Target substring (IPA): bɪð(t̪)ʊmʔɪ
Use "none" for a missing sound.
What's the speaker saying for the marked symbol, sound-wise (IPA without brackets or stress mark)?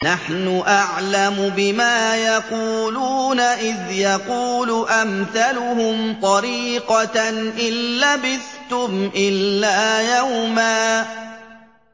t̪